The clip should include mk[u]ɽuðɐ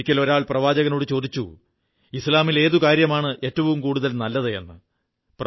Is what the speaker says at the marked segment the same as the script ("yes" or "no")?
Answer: no